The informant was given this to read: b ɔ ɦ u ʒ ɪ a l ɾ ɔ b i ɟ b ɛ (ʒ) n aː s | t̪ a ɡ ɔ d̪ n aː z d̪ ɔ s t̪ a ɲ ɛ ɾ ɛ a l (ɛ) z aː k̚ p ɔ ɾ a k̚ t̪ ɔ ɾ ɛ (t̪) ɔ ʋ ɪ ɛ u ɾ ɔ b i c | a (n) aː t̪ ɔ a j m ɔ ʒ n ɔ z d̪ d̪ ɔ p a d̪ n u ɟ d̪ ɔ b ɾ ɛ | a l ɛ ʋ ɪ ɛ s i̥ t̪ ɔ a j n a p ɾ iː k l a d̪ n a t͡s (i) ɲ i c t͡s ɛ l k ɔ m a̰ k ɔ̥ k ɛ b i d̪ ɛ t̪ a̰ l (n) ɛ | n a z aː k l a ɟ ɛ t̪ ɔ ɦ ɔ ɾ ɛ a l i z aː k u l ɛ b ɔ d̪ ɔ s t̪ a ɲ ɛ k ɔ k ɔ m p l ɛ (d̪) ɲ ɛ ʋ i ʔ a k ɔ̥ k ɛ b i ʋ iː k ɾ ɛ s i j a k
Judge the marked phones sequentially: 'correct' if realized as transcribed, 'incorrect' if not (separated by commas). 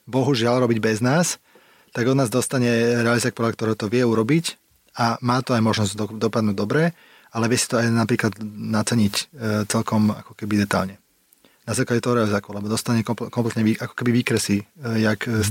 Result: incorrect, incorrect, correct, incorrect, incorrect, incorrect, incorrect